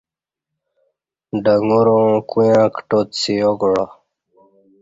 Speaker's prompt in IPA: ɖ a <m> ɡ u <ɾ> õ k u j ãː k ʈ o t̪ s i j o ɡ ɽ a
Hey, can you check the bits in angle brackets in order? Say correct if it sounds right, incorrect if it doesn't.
incorrect: ŋ, correct

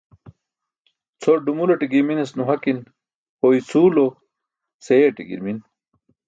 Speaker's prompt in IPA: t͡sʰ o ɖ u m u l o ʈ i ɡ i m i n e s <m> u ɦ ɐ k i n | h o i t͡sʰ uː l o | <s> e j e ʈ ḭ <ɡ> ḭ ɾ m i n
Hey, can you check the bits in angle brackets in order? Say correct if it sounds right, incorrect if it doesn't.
incorrect: n, correct, correct

